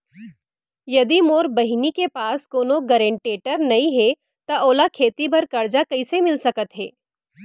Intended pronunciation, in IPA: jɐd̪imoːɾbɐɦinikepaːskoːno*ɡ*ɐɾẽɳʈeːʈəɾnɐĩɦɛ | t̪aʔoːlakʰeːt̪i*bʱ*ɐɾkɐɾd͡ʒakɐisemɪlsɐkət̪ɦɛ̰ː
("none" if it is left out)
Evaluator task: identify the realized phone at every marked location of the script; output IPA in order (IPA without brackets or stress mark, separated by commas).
ɡ, bʱ